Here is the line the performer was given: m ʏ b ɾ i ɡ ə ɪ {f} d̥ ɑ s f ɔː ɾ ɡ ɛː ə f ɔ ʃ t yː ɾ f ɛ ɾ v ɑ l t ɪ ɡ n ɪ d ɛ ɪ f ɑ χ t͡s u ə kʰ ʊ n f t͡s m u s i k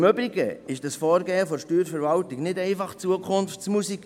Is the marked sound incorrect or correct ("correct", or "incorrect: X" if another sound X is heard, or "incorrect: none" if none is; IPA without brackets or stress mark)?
incorrect: ʃ